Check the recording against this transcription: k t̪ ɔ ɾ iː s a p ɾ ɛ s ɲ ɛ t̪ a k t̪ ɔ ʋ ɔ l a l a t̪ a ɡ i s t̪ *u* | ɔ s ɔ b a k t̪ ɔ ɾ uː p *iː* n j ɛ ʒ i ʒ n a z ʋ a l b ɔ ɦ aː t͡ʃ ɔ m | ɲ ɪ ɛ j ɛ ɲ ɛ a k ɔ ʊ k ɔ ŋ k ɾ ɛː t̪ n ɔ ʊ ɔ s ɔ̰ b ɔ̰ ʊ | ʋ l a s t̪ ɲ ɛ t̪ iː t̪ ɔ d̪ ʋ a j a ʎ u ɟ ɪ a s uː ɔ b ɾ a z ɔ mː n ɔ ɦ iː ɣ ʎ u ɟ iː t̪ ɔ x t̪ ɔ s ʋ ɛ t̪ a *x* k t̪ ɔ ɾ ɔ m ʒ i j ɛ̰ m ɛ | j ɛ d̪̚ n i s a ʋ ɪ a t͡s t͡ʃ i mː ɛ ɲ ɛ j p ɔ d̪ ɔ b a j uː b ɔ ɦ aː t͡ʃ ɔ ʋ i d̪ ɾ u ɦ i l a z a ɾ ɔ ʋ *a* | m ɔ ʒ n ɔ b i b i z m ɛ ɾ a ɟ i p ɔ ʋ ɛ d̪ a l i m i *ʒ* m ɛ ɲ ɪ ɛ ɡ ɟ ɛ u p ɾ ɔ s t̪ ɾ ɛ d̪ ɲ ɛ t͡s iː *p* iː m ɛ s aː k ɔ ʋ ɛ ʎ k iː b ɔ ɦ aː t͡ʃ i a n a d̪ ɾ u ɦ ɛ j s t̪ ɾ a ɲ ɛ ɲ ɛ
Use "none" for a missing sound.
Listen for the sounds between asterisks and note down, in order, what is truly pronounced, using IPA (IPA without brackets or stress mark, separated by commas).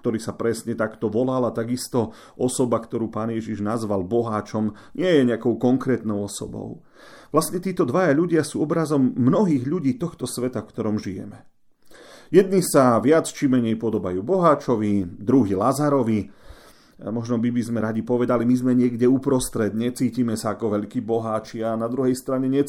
ɔ, aː, f, i, z, c